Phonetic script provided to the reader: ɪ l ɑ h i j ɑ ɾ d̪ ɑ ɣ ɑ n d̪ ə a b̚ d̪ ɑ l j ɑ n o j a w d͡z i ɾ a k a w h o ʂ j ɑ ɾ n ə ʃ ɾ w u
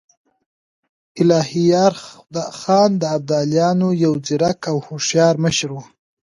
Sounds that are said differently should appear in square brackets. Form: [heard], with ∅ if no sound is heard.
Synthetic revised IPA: ɪ l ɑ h i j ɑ ɾ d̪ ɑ [x] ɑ n d̪ ə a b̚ d̪ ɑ l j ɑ n o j a w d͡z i ɾ a k a w h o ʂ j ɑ ɾ [m] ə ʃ ɾ w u